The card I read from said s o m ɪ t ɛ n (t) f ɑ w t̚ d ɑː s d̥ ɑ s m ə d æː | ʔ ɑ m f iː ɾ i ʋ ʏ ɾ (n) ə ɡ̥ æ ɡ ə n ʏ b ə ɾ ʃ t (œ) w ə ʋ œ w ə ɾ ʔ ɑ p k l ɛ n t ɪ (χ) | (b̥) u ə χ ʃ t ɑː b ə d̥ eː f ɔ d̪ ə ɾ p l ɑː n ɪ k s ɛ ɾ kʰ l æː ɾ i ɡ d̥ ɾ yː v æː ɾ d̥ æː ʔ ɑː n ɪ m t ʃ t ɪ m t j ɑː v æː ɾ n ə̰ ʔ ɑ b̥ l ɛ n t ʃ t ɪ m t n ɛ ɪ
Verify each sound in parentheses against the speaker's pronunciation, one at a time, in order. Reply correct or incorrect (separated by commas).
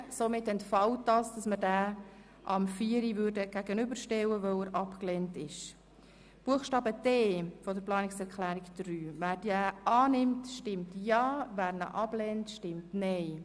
correct, incorrect, incorrect, incorrect, correct